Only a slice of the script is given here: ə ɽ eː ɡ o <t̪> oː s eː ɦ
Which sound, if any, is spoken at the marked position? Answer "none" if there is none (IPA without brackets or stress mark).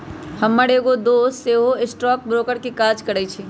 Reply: d̪